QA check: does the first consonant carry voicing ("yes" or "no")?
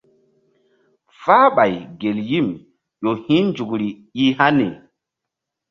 no